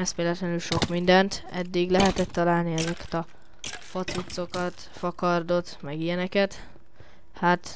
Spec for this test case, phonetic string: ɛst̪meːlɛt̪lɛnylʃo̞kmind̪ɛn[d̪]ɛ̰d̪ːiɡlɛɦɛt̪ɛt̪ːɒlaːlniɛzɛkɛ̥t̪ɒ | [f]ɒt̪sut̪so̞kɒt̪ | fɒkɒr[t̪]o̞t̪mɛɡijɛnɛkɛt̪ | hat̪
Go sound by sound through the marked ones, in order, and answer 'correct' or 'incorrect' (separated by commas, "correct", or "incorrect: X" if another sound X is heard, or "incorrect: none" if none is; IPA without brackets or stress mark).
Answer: incorrect: t̪, correct, incorrect: d̪